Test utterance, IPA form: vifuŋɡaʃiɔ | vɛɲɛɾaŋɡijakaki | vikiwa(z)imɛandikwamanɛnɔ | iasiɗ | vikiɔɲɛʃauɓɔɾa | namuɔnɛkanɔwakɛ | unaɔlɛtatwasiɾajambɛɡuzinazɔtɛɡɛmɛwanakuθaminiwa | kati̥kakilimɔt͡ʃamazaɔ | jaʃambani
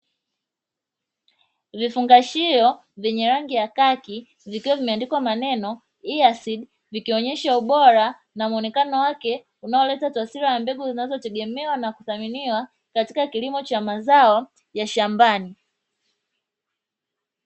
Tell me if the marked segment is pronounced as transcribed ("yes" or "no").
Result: no